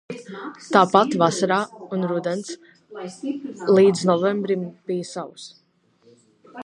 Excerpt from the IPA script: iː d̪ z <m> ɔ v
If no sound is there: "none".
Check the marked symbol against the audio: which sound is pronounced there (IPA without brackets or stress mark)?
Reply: n